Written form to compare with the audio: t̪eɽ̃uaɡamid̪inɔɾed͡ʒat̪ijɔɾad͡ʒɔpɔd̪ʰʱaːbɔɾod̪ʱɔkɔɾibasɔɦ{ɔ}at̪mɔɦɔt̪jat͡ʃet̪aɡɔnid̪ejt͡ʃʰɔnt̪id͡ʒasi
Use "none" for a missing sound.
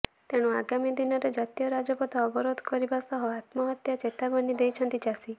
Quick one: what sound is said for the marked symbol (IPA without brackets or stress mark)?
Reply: ɔ